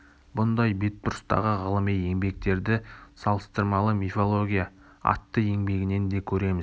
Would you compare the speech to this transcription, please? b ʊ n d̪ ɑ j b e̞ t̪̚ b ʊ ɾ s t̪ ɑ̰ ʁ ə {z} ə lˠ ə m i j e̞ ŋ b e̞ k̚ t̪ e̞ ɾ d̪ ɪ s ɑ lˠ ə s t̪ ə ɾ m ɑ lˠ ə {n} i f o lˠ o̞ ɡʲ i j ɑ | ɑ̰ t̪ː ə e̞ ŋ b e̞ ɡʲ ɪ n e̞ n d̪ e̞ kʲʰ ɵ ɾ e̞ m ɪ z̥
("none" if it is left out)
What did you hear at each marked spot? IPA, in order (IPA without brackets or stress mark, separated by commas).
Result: ʁ, m